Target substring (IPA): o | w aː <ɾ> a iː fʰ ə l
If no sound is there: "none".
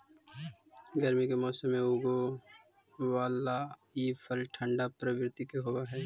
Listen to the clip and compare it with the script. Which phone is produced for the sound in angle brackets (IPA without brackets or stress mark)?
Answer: l